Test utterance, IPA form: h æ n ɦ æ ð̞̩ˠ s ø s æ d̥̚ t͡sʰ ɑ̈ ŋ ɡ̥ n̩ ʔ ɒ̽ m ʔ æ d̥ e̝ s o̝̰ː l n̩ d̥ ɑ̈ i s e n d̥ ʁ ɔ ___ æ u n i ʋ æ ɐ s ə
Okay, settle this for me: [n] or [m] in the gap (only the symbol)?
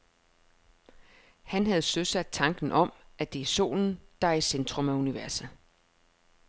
m